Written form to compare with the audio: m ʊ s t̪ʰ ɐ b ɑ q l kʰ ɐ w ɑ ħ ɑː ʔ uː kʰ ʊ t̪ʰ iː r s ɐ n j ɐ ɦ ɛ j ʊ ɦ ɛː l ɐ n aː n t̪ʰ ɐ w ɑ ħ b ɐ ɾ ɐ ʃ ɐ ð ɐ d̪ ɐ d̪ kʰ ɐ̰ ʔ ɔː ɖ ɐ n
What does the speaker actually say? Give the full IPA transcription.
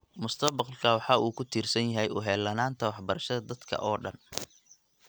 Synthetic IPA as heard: m ʊ s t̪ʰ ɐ b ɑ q l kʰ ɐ w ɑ ħ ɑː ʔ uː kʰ ʊ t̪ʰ iː r s ɐ n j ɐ ɦ ɛ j ʊ ɦ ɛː l ɐ n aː n t̪ʰ ɐ w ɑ ħ b ɐ ɾ ɐ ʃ ɐ ð ɐ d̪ ɐ d̪ kʰ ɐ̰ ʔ ɔː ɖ ɐ n

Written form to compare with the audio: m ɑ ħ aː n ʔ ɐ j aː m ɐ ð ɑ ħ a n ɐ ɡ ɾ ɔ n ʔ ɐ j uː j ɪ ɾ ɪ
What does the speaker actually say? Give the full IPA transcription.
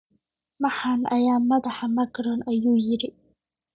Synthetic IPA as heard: m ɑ ħ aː n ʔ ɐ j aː m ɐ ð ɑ ħ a m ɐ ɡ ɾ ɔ n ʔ ɐ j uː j ɪ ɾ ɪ

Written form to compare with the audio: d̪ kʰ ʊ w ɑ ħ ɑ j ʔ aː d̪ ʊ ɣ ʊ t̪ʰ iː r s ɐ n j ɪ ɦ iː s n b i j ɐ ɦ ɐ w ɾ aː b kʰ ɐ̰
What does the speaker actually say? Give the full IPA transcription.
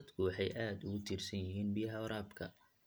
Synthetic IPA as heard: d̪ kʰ ʊ w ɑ ħ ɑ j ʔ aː d̪ ʊ ɣ ʊ t̪ʰ iː r s ɐ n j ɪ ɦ iː n b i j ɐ ɦ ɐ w ɾ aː b kʰ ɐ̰

